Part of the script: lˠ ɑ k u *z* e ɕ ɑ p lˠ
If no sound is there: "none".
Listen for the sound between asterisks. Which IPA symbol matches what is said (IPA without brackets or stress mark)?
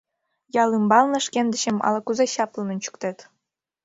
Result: z